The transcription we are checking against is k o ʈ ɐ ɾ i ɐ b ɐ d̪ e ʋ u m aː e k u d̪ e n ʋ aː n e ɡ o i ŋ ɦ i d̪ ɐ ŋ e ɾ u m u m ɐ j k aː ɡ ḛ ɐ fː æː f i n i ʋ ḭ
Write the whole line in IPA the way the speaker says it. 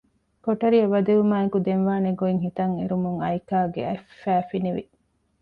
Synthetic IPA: k o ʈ ɐ ɾ i ɐ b ɐ d̪ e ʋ u m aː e k u d̪ e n ʋ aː n e ɡ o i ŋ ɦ i t̪ ɐ ŋ e ɾ u m u ŋ ɐ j k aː ɡ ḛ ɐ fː æː f i n i ʋ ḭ